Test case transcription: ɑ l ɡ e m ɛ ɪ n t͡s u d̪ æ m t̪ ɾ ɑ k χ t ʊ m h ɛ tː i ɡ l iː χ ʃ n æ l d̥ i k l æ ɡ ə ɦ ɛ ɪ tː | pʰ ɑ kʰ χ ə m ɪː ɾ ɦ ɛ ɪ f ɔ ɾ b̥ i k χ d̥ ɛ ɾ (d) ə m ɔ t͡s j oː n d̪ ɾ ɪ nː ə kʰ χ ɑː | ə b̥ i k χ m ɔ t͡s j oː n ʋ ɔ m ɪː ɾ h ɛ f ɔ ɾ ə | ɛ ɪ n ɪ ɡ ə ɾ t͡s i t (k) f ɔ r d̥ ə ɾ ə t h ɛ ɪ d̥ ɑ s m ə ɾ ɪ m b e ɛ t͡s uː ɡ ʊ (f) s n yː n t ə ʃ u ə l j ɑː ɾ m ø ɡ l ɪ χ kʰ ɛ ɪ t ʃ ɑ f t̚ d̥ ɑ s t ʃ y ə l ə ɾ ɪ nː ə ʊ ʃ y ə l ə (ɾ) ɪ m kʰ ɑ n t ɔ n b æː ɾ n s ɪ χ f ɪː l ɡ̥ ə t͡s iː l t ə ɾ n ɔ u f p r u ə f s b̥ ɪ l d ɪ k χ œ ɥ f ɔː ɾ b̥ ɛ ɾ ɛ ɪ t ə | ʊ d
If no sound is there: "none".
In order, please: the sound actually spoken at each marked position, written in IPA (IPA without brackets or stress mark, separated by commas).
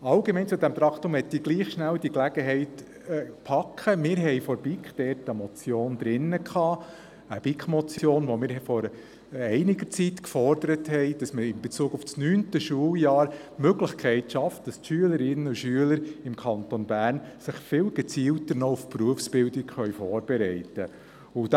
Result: t, k, f, ɾ